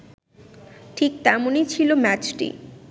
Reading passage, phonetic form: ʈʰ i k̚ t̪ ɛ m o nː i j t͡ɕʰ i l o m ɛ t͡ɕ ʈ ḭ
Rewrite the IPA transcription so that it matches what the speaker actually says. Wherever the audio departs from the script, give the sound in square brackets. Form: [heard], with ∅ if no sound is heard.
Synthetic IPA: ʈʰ i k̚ t̪ ɛ m o [n] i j t͡ɕʰ i l o m ɛ t͡ɕ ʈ ḭ